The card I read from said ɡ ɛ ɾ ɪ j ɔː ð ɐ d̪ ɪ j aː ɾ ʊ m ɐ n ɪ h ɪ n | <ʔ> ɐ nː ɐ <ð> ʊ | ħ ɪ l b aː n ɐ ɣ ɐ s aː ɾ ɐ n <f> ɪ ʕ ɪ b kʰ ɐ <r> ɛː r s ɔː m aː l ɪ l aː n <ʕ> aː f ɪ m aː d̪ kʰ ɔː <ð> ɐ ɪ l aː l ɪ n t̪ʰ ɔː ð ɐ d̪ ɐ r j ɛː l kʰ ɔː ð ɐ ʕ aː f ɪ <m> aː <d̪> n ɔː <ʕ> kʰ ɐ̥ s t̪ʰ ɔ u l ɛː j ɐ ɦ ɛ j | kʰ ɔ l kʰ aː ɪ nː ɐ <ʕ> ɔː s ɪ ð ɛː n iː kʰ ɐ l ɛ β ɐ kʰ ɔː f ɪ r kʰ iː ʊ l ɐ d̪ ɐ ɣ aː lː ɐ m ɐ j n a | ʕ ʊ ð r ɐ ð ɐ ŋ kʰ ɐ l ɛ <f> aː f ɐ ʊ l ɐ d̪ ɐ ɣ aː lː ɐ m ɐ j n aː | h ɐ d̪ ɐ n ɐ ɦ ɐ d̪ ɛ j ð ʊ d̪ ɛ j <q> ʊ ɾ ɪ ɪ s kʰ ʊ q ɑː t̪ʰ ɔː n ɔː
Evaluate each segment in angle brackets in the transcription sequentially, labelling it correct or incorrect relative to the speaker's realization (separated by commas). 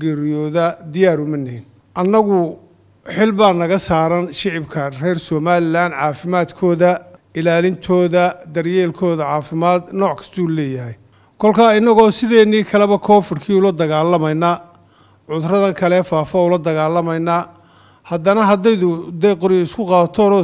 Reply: correct, incorrect, incorrect, correct, correct, correct, correct, correct, correct, incorrect, correct, correct